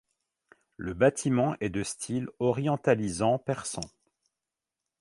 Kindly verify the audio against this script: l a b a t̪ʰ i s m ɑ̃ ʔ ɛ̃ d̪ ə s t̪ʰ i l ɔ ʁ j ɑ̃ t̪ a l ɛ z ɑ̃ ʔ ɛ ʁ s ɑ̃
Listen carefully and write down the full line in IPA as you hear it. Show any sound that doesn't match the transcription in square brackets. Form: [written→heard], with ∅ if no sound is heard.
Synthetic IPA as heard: l [a→ə] b a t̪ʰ i [s→∅] m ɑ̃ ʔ [ɛ̃→ɛ] d̪ ə s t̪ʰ i l ɔ ʁ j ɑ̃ t̪ a l [ɛ→i] z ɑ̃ [ʔ→p] ɛ ʁ s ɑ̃